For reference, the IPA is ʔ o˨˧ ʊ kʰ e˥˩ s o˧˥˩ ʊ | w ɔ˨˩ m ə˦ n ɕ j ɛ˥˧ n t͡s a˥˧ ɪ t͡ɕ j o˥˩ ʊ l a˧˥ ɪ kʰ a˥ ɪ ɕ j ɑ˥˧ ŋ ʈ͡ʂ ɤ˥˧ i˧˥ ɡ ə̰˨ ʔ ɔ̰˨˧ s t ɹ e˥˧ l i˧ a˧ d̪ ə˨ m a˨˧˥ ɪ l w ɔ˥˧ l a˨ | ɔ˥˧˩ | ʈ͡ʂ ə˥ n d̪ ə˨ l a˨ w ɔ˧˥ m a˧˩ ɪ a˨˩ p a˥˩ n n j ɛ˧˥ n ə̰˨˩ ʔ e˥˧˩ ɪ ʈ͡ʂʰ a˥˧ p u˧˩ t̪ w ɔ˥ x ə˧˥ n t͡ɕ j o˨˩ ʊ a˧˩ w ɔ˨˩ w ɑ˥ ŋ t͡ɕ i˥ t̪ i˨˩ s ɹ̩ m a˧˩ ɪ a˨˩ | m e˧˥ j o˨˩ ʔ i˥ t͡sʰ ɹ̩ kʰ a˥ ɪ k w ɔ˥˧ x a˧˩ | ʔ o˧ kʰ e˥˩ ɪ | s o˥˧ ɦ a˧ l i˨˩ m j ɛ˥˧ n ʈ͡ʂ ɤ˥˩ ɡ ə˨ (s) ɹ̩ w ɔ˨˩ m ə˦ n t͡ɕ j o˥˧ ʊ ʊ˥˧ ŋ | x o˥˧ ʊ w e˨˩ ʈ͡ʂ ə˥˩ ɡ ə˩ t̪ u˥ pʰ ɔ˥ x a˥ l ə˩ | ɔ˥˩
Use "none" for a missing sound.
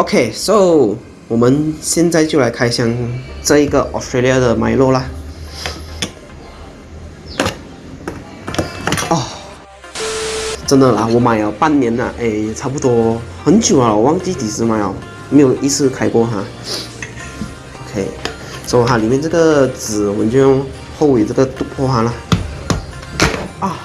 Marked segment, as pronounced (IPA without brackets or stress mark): t͡s